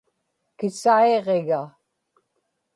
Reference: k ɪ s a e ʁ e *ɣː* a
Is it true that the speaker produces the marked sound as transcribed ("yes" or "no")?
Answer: no